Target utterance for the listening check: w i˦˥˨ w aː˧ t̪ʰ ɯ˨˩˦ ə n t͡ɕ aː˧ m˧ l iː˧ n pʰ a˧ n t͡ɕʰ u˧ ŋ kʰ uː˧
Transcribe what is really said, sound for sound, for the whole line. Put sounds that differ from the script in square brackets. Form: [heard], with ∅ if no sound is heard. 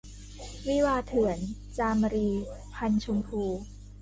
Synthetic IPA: w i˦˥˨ w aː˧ t̪ʰ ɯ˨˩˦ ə n t͡ɕ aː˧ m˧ [ɾ] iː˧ [∅] pʰ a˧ n t͡ɕʰ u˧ [m] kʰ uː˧